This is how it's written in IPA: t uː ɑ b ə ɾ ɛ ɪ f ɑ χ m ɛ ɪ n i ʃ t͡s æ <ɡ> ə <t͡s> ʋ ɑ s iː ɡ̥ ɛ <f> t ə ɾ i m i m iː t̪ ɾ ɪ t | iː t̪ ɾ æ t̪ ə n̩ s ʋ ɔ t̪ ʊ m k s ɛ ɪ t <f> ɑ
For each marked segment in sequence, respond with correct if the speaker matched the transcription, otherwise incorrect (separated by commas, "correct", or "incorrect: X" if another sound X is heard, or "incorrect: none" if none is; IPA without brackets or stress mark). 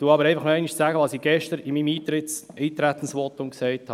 correct, incorrect: none, incorrect: ʃ, incorrect: h